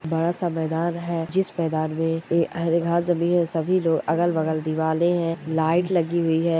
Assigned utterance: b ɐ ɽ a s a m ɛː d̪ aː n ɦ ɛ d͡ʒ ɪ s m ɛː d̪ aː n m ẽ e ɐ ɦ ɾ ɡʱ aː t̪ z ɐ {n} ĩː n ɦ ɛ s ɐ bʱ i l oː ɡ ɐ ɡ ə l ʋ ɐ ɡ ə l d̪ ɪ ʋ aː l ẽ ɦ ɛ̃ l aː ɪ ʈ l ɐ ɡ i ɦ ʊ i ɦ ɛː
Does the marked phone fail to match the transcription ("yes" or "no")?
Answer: yes